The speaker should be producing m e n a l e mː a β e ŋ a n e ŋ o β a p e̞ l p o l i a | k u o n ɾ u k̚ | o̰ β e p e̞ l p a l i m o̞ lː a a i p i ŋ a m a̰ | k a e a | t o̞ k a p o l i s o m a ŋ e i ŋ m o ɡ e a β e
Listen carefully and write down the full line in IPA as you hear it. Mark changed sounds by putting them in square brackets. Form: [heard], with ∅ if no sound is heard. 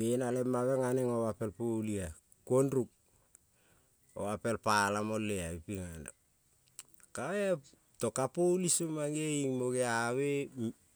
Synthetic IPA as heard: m e n a l e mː a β e ŋ a n e ŋ o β a p e̞ l p o l i a | k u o n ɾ u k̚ | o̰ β [a] p e̞ l p a l [a] m o̞ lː [e] a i p i ŋ a [n] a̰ | k a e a | t o̞ k a p o l i s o m a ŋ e i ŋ m o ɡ e a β e